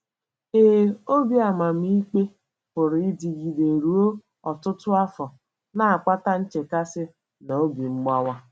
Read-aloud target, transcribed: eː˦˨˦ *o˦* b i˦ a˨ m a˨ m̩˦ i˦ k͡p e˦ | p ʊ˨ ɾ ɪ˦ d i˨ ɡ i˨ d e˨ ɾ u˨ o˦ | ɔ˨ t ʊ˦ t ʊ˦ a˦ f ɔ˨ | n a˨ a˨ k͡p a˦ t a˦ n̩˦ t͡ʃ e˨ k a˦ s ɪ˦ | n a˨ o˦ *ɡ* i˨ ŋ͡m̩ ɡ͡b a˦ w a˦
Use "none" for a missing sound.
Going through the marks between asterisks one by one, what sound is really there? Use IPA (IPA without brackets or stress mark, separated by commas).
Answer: o˦, b